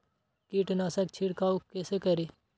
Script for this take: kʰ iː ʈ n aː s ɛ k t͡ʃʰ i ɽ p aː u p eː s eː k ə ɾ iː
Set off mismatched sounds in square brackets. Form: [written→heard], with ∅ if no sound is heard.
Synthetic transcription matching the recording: [kʰ→k] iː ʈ n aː s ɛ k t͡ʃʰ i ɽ [p→k] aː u [p→k] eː s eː k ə ɾ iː